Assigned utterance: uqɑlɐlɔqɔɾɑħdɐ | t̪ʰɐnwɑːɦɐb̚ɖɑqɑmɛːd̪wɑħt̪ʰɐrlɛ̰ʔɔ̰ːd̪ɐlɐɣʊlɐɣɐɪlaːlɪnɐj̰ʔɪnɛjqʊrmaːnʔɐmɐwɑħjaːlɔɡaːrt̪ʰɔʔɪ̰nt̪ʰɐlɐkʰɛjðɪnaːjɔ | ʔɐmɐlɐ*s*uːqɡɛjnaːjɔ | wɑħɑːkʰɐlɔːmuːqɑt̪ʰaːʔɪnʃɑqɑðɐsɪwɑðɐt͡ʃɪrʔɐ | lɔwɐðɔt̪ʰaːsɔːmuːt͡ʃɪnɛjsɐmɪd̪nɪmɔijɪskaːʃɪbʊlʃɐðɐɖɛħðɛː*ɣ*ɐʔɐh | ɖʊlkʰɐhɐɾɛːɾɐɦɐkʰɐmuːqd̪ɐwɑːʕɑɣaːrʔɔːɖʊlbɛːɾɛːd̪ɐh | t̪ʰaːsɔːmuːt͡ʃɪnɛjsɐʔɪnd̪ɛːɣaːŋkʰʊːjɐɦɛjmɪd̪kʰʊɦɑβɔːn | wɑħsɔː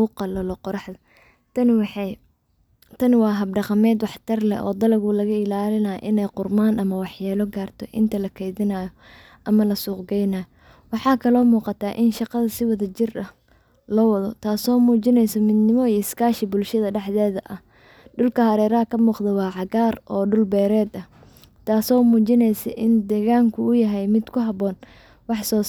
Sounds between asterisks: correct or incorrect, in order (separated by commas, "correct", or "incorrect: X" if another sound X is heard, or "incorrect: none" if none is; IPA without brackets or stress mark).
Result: correct, incorrect: ð